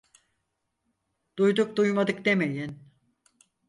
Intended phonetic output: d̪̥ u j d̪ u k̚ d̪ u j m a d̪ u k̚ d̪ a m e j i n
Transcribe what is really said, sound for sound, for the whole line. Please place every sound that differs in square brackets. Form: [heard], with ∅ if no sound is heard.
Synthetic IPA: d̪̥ u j d̪ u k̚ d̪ u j m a d̪ [ɯ] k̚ d̪ [e] m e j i n

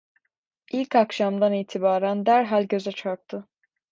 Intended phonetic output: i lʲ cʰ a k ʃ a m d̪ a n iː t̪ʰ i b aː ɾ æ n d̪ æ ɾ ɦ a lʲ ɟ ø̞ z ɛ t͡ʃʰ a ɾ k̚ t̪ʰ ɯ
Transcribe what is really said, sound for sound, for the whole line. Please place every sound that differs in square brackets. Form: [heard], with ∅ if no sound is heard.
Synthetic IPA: i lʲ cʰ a k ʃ a m d̪ a n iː t̪ʰ i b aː ɾ æ n d̪ æ ɾ ɦ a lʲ ɟ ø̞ z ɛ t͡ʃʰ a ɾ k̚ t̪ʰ ɯ

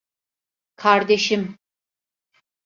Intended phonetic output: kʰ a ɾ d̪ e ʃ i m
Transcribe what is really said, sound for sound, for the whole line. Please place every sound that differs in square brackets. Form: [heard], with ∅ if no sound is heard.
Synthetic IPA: kʰ a ɾ d̪ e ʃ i m

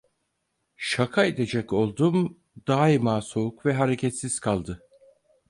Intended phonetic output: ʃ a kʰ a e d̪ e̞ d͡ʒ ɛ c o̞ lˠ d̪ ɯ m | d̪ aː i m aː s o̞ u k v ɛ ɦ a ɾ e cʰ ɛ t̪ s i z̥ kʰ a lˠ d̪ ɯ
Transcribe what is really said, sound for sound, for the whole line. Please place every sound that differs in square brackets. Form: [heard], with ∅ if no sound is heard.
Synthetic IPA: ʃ a kʰ a e d̪ e̞ d͡ʒ ɛ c o̞ lˠ d̪ [u] m | d̪ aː i m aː s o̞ u k v ɛ ɦ a ɾ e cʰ ɛ t̪ s i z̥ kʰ a lˠ d̪ ɯ

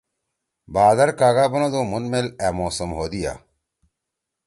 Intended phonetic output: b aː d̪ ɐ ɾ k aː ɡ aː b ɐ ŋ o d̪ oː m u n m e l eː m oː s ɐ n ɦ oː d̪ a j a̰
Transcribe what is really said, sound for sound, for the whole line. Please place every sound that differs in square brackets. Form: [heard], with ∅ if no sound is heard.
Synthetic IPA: b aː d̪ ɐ ɾ k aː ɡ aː b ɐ [n] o d̪ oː m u n m e l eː m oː s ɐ [m] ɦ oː d̪ [i] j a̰

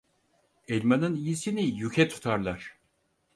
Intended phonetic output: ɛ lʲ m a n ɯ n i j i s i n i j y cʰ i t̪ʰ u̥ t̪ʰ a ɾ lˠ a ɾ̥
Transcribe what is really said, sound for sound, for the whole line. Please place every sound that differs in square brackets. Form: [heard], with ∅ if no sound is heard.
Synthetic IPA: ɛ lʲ m a n ɯ n i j i s i n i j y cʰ [ɛ] t̪ʰ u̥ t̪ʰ a ɾ lˠ a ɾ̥

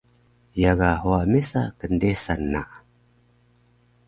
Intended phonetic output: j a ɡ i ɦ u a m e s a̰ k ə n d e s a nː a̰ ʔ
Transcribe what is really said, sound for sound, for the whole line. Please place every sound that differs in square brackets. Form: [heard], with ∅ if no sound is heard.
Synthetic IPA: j a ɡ [a] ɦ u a m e s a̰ k ə n d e s a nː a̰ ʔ

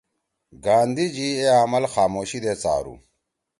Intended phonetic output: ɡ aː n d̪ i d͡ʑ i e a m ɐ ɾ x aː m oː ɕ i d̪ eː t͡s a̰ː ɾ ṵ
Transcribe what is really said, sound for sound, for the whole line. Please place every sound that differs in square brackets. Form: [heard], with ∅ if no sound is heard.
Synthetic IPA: ɡ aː n d̪ i d͡ʑ i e a m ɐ [l] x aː m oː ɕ i d̪ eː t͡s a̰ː ɾ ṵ

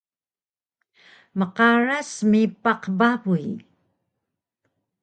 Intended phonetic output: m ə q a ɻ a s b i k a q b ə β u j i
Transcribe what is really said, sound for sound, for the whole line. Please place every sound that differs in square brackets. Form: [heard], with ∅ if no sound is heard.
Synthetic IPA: m ə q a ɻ a s [m] i [p] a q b [a] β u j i

